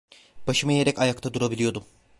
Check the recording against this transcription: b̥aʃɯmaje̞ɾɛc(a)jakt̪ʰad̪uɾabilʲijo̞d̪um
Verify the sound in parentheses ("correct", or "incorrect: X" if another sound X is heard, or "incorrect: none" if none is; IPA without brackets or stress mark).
correct